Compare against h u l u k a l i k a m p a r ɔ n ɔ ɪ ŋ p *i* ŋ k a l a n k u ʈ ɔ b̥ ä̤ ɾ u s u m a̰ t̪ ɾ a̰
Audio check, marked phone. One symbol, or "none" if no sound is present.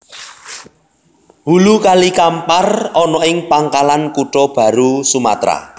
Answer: a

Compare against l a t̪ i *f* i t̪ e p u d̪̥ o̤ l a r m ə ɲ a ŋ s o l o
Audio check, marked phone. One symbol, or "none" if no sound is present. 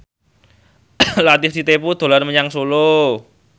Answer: s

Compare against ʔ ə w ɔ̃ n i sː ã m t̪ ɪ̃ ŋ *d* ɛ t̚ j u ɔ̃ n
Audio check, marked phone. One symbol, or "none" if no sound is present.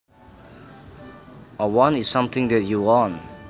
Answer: d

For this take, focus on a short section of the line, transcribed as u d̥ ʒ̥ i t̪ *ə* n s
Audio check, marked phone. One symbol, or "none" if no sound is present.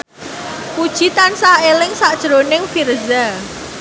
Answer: a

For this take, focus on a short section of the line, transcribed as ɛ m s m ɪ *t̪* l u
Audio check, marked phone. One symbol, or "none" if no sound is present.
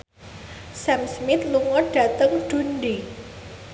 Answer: t̪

